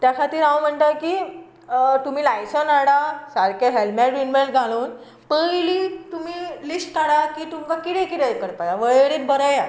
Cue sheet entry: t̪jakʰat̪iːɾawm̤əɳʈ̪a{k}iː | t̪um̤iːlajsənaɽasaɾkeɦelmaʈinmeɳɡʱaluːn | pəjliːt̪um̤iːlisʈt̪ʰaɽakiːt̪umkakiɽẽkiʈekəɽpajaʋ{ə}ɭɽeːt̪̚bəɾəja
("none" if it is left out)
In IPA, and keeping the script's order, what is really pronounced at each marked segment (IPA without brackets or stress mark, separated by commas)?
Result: k, ə